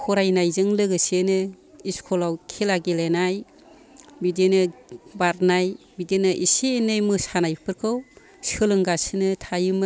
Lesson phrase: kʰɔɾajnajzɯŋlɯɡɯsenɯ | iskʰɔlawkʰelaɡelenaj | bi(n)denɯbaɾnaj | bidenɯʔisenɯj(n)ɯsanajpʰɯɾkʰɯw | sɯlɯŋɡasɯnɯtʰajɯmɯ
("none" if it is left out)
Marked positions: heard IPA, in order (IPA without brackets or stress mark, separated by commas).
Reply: none, m